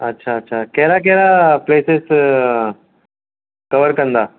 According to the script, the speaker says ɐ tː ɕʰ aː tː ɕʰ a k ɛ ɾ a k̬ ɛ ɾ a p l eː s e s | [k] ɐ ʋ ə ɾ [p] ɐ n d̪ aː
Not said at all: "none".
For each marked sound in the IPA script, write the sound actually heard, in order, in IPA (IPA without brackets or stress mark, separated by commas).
k, k